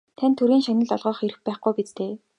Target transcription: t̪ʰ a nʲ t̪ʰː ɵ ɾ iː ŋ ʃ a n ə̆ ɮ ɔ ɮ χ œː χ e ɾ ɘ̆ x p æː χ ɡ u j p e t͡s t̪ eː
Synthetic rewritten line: t̪ʰ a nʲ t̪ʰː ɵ ɾ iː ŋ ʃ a n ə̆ ɮ ɔ ɮ ʁ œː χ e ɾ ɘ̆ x p æː χ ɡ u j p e t͡s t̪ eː

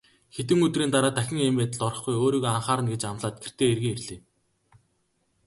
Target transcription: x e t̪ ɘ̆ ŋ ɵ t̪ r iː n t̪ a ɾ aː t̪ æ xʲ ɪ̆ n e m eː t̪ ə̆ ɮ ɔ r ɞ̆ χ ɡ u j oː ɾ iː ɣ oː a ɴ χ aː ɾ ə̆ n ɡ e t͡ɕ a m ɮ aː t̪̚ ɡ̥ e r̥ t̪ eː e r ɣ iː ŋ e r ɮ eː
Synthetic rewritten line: x e t̪ ɘ̆ ŋ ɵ t̪ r iː n t̪ a ɾ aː t̪ æ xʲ ɪ̆ ŋ e m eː t̪ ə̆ ɮ ɔ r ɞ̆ χ ɡ u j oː ɾ iː ɣ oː a ɴ χ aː ɾ ə̆ n ɡ e t͡ɕ a m ɮ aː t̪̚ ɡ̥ e r̥ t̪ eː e r ɣ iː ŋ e r ɮ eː

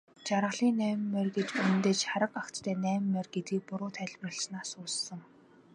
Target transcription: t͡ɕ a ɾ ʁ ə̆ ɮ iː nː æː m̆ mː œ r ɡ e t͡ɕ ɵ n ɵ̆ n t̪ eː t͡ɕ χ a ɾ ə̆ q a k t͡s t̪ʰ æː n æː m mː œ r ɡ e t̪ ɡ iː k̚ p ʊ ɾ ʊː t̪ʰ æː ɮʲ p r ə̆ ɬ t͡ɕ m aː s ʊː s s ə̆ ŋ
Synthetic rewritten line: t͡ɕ a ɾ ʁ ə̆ ɮ iː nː æː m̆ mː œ r ɡ e t͡ɕ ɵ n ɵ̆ n t̪ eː t͡ɕ χ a ɾ ə̆ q a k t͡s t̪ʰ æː n æː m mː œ r ɡ e t̪ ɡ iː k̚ p ʊ ɾ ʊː t̪ʰ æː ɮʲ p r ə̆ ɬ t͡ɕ n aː s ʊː s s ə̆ ŋ

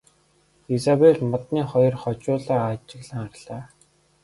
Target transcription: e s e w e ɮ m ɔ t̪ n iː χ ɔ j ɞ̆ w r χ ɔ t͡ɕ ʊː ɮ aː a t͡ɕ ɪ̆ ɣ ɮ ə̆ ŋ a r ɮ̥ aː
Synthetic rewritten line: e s a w e ɮ m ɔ t̪ n iː χ ɔ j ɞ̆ r χ ɔ t͡ɕ ʊː ɮ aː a t͡ɕ ɪ̆ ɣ ɮ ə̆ ŋ a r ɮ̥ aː

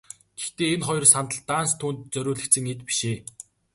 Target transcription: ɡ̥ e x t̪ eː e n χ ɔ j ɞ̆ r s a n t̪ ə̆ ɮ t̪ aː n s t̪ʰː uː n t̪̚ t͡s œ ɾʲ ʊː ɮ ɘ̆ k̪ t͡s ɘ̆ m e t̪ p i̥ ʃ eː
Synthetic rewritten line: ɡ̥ e x t̪ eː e n χ ɔ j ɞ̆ r s a n t̪ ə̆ ɮ t̪ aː n s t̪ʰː uː n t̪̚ t͡s œ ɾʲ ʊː ɮ ɘ̆ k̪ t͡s ɘ̆ ŋ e t̪ p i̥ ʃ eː

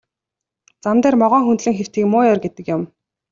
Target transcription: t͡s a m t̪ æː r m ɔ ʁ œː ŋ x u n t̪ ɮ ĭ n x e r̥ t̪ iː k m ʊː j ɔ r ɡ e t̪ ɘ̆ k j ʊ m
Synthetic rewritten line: t͡s a m t̪ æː r m ɔ ʁ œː ŋ x u n t̪ ɮ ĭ ŋ x e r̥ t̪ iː k m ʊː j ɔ r ɡ e t̪ ɘ̆ k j ʊ m

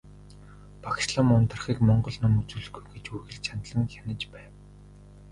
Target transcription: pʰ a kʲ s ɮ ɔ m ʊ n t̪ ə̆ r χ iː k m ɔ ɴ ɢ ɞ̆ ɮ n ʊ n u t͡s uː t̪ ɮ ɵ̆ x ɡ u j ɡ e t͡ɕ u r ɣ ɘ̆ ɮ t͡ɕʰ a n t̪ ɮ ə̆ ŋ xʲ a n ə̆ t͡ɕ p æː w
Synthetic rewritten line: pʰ a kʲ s ɮ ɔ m ʊ n t̪ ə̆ r χ iː k m ɔ ɴ ɢ ɞ̆ ɮ n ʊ m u t͡s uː ɮ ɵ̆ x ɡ u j ɡ e t͡ɕ u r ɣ ɘ̆ ɮ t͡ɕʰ a n t̪ ɮ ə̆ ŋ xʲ a n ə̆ t͡ɕ p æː w

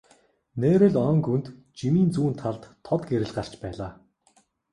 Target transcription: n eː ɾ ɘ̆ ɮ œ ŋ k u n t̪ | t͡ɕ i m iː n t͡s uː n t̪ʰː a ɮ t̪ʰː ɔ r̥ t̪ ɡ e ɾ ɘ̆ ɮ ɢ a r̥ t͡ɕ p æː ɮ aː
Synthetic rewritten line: n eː ɾ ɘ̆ ɮ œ ŋ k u n t̪ | t͡ɕ i m iː n t͡s uː n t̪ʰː a ɮ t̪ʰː ɔ t̪ ɡ e ɾ ɘ̆ ɮ ɢ a r̥ t͡ɕ p æː ɮ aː

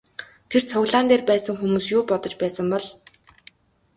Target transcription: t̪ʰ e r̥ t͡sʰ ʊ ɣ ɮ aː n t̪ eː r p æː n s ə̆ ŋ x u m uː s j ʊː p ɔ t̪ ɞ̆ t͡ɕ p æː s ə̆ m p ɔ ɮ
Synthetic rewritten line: t̪ʰ e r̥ t͡sʰ ʊ ɣ ɮ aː n t̪ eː r p æː s ə̆ ŋ x u m uː s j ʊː p ɔ t̪ ɞ̆ t͡ɕ p æː s ə̆ m p ɔ ɮ

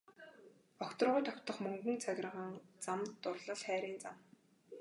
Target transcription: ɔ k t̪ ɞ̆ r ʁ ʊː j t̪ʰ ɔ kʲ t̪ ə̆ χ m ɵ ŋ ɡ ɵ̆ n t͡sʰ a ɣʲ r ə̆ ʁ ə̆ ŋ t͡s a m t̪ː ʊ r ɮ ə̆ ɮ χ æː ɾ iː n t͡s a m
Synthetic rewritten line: ɔ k t̪ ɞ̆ r ʁ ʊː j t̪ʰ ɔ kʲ t̪ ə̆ χ m ɵ ŋ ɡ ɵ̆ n t͡sʰ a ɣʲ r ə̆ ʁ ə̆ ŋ t͡s a m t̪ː ʊ r ɮ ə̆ ɮ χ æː ɾ iː n t͡s a m

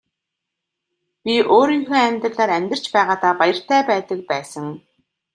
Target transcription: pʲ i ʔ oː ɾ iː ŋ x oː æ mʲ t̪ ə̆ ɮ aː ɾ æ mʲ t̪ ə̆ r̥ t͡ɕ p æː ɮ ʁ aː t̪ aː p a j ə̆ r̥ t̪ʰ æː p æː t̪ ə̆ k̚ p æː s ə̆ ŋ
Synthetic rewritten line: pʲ i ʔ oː ɾ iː ŋ x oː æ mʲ t̪ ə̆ ɮ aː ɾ æ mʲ t̪ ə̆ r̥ t͡ɕ p æː ʁ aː t̪ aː p a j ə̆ r̥ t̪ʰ æː p æː t̪ ə̆ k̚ p æː s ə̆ ŋ

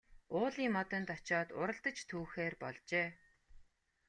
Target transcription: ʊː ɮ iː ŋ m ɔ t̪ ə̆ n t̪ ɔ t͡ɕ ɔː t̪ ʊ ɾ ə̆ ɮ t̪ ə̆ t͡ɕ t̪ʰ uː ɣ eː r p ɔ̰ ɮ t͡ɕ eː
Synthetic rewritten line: ʊː ɮ iː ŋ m ɔ t̪ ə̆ n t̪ ɔ t͡ɕ ɔː t̪ ʊ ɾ ə̆ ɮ t̪ ə̆ t͡ɕ t̪ʰ uː x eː r p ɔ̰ ɮ t͡ɕ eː

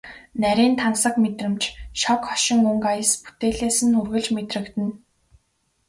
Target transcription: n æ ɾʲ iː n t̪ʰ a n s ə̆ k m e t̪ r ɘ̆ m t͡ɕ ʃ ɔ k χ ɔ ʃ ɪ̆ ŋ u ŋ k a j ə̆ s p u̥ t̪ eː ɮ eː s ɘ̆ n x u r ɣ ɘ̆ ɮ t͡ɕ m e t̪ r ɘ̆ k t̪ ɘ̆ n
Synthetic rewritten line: n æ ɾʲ iː n t̪ʰ a n s ə̆ k m e t̪ r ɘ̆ m t͡ɕ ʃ ɔ k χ ɔ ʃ ɪ̆ ŋ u ŋ k a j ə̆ s p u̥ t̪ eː ɮ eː s ɘ̆ n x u r ɣ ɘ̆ ɮ t͡ɕ m e t̪ r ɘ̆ k t̪ ɘ̆ n

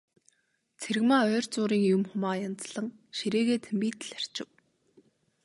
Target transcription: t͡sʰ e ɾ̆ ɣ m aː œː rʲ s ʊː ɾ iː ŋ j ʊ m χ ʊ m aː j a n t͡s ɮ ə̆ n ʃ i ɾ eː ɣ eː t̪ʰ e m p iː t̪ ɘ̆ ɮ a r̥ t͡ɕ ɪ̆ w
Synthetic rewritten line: t͡sʰ e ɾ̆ ɣ m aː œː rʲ t͡s ʊː ɾ iː ŋ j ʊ m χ ʊ m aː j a n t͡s ɮ ə̆ ŋ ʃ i ɾ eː ɣ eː t̪ʰ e m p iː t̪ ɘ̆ ɮ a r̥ t͡ɕ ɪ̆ w

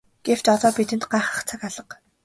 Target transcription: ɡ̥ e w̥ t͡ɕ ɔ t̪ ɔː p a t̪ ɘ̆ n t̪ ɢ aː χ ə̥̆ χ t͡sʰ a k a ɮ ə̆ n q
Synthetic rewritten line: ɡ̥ e w̥ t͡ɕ ɔ t̪ ɔː p i t̪ ɘ̆ n t̪ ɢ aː χ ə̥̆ χ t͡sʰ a k a ɮ ə̆ q

